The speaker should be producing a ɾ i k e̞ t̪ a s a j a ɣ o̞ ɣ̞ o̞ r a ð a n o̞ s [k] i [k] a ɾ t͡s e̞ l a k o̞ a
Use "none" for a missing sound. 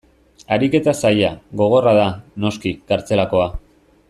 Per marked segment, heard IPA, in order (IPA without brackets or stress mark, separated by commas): k, k